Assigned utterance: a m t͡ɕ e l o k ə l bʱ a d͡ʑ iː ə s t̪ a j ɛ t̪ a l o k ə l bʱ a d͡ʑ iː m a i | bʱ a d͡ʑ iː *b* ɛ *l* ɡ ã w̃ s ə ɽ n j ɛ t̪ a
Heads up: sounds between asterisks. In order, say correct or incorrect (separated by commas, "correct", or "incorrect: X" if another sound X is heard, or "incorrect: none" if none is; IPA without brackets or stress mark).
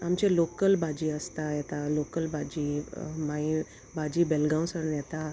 correct, correct